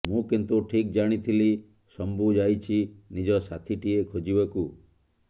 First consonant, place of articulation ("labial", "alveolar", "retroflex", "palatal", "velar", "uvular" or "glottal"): labial